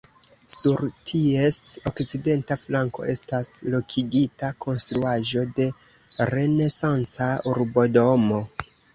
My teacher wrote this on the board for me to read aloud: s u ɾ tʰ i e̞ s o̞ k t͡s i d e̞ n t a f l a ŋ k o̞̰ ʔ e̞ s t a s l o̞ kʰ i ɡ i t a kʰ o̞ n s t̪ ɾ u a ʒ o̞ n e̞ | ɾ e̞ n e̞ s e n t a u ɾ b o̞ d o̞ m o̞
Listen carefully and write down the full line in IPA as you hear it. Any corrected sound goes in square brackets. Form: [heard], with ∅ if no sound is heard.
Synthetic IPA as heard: s u ɾ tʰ i e̞ s o̞ k t͡s i d e̞ n t a f l a ŋ k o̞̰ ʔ e̞ s t a s l o̞ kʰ i ɡ i t a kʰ o̞ n s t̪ ɾ u a ʒ o̞ [d] e̞ | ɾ e̞ n e̞ s [a] n [t͡s] a u ɾ b o̞ d o̞ m o̞

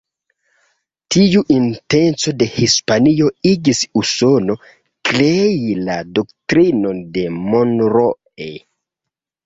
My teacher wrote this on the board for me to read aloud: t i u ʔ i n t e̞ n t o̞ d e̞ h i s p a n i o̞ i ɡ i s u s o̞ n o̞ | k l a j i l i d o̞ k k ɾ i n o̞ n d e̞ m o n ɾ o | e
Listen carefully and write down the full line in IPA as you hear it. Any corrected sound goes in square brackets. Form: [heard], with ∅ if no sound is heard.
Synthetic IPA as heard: t i u ʔ i n t e̞ n [t͡s] o̞ d e̞ h i s p a n i o̞ i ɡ i s u s o̞ n o̞ | k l [e] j i l [a] d o̞ k [t] ɾ i n o̞ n d e̞ m o n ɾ o | e

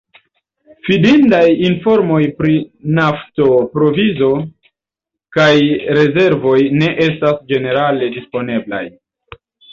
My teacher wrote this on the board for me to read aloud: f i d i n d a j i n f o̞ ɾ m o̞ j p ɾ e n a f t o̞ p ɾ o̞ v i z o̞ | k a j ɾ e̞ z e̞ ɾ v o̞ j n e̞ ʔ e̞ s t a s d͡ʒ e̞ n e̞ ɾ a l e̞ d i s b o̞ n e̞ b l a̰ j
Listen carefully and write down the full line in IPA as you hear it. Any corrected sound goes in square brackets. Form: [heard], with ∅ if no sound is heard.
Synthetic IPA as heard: f i d i n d a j i n f o̞ ɾ m o̞ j p ɾ [i] n a f t o̞ p ɾ o̞ v i z o̞ | k a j ɾ e̞ z e̞ ɾ v o̞ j n e̞ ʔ e̞ s t a s d͡ʒ e̞ n e̞ ɾ a l e̞ d i s [p] o̞ n e̞ b l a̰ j

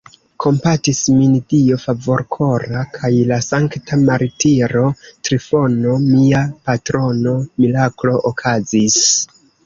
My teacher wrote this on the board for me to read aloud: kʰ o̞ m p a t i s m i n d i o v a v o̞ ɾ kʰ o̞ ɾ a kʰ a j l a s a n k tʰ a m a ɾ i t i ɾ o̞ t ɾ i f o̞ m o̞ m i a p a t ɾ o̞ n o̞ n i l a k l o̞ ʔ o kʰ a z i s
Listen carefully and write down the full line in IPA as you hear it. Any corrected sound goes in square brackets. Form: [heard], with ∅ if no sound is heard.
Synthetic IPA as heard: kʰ o̞ m p a t i s m i n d i o [f] a v o̞ ɾ kʰ o̞ ɾ a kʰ a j l a s a [ŋ] k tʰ a m a ɾ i t i ɾ o̞ t ɾ i f o̞ [n] o̞ m i a p a t ɾ o̞ n o̞ [m] i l a k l o̞ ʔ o kʰ a z i s

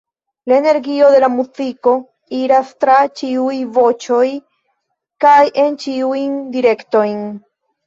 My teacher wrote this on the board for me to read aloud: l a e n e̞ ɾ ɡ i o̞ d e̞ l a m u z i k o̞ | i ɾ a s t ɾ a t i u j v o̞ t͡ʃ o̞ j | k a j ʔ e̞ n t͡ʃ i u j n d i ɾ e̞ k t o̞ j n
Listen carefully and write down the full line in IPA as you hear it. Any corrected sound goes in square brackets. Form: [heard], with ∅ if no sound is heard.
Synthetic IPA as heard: l a e n e̞ ɾ ɡ i o̞ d e̞ l a m u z i k o̞ | i ɾ a s t ɾ a [t͡ʃ] i u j v o̞ t͡ʃ o̞ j | k a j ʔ e̞ n t͡ʃ i u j n d i ɾ e̞ k t o̞ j n

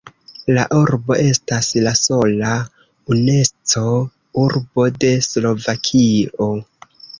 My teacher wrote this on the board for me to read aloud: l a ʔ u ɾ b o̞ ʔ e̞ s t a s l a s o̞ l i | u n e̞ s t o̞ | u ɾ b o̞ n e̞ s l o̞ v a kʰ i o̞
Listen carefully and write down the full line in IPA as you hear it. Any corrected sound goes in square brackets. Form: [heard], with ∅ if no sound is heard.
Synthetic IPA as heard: l a ʔ u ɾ b o̞ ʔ e̞ s t a s l a s o̞ l [a] | u n e̞ s [t͡s] o̞ | u ɾ b o̞ [d] e̞ s l o̞ v a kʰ i o̞

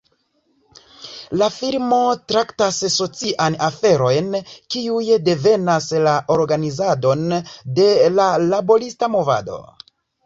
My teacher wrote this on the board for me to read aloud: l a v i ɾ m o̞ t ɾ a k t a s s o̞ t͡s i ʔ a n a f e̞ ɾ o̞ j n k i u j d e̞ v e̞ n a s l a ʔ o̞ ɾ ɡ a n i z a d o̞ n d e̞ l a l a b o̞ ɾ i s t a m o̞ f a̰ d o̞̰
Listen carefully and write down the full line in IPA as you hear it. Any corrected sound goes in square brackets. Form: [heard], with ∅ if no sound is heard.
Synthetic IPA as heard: l a [f] i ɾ m o̞ t ɾ a k t a s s o̞ t͡s i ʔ a n a f e̞ ɾ o̞ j n k i u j d e̞ v e̞ n a s l a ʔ o̞ ɾ ɡ a n i z a d o̞ n d e̞ l a l a b o̞ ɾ i s t a m o̞ [v] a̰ d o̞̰

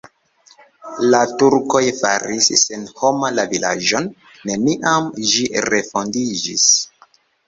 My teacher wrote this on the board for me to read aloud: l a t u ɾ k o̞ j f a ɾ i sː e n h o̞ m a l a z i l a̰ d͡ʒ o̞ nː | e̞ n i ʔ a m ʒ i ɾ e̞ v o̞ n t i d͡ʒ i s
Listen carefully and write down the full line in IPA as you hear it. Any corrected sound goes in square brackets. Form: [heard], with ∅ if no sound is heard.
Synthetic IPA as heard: l a t u ɾ k o̞ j f a ɾ i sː e n h o̞ m a l a [v] i l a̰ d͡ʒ o̞ nː | e̞ n i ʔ a m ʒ i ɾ e̞ [f] o̞ n [d] i d͡ʒ i s

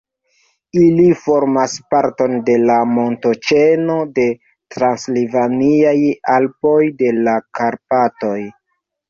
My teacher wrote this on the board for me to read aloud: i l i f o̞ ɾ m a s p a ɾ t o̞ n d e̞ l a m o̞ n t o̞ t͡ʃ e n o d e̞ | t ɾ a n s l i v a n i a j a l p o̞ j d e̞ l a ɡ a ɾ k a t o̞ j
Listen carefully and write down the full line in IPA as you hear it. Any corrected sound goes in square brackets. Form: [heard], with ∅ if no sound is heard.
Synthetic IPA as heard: i l i f o̞ ɾ m a s p a ɾ t o̞ n d e̞ l a m o̞ n t o̞ t͡ʃ e n o d e̞ | t ɾ a n s l i v a n i a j a l p o̞ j d e̞ l a [k] a ɾ [p] a t o̞ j

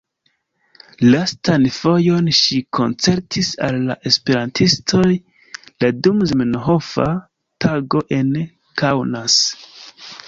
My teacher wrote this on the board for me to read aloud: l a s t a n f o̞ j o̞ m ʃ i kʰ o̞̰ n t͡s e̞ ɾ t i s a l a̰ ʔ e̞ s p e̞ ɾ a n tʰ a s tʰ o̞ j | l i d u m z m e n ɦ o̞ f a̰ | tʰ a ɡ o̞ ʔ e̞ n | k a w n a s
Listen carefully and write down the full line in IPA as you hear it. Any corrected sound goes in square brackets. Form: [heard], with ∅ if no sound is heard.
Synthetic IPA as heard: l a s t a n f o̞ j o̞ [n] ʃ i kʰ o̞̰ n t͡s e̞ ɾ t i s a [lː] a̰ ʔ e̞ s p e̞ ɾ a n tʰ [i] s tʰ o̞ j | l [a] d u m z m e n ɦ o̞ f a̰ | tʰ a ɡ o̞ ʔ e̞ n | k a w n a s

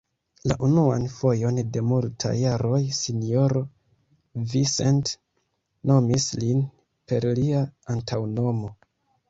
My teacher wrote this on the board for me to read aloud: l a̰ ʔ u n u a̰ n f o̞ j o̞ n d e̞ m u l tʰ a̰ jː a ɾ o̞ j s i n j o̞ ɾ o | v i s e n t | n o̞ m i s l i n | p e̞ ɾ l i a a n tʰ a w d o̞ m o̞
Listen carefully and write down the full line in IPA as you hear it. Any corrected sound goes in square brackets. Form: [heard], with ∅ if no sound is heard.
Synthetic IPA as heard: l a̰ ʔ u n u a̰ n f o̞ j o̞ n d e̞ m u l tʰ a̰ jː a ɾ o̞ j s i n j o̞ ɾ o | v i s e n t | n o̞ m i s l i n | p e̞ ɾ l i a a n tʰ a w [n] o̞ m o̞

